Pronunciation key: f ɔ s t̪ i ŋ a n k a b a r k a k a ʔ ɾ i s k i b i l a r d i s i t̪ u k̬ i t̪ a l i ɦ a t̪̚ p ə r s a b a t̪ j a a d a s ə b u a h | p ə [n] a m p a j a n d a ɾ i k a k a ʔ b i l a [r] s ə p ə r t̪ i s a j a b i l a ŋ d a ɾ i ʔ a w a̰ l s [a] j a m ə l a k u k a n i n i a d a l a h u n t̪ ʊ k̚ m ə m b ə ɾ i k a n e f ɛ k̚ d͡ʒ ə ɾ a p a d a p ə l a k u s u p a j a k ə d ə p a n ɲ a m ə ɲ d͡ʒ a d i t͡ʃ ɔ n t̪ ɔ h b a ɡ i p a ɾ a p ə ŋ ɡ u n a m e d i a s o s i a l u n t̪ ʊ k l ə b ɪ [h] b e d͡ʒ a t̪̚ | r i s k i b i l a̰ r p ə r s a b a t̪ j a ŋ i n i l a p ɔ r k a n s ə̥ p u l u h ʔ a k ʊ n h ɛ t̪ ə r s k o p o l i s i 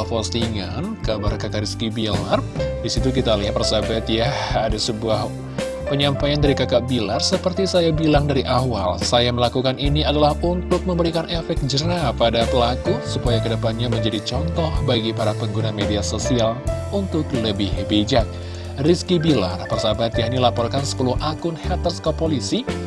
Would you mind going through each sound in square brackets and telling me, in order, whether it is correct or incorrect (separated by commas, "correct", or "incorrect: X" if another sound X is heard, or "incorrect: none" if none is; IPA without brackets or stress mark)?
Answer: incorrect: ɲ, correct, correct, correct